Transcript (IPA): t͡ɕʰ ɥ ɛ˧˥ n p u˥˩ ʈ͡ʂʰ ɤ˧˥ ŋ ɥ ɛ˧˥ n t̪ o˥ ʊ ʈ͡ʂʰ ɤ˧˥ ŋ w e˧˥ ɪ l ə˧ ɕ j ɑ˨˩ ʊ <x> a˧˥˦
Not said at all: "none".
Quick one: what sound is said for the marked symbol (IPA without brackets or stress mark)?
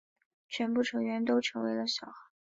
x